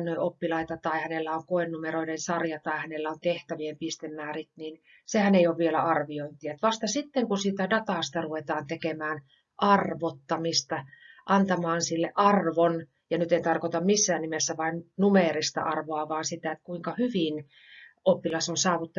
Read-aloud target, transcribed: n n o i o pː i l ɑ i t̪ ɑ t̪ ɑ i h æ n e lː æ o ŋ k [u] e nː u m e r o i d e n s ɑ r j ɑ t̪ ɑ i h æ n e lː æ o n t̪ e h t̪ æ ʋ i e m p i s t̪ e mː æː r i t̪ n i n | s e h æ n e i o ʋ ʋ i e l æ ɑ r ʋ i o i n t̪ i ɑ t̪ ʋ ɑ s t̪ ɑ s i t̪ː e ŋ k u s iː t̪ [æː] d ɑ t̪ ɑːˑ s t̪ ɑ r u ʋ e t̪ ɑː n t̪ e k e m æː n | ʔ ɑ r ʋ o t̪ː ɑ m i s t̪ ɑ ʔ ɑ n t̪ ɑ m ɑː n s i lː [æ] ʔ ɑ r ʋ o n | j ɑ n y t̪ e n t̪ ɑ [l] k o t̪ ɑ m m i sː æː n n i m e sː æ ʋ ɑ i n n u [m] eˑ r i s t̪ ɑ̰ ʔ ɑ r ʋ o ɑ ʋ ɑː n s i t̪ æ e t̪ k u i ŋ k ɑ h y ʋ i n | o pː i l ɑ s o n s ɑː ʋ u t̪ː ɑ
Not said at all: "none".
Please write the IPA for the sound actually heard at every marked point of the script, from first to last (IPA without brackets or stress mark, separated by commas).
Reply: o, æ, e, r, m